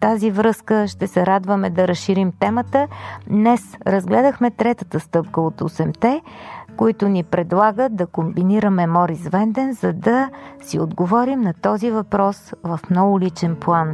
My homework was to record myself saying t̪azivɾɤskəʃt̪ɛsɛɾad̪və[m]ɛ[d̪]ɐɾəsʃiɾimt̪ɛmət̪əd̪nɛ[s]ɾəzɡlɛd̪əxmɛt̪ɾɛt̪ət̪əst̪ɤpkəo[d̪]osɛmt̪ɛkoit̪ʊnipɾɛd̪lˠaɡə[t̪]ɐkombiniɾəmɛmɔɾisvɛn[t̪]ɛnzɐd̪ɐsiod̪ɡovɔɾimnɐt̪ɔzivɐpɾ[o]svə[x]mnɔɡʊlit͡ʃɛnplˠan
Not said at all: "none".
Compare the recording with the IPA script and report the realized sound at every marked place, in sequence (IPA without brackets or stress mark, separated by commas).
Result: m, d̪, s, t̪, d̪, d̪, ɔ, f